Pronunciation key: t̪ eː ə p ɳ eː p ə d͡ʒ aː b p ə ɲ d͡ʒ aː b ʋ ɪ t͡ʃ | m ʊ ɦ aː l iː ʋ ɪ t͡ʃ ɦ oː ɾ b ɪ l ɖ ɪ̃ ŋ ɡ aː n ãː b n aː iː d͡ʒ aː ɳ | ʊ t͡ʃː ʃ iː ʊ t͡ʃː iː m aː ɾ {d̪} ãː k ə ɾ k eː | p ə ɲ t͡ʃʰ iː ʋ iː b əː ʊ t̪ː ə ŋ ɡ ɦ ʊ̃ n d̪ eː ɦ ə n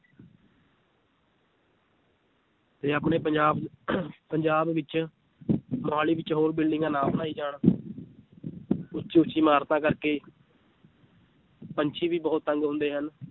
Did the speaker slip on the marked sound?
yes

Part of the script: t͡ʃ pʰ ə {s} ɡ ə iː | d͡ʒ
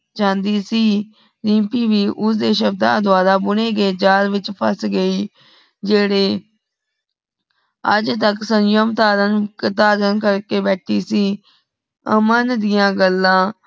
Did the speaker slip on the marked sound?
no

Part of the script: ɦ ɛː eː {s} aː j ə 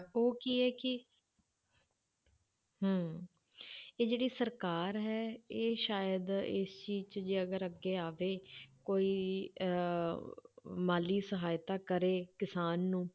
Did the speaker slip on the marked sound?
yes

